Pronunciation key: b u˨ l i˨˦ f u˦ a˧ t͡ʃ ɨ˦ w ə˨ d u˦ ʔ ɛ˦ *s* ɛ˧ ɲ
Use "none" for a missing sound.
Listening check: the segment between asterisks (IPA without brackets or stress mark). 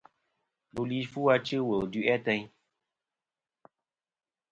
t